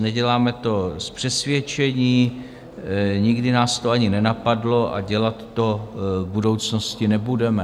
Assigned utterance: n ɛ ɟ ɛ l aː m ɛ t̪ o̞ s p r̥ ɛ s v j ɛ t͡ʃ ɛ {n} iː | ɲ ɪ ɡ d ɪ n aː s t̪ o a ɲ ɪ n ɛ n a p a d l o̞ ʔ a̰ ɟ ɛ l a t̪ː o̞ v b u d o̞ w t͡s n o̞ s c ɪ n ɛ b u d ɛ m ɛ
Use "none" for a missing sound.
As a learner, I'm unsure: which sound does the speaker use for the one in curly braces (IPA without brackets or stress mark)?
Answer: ɲ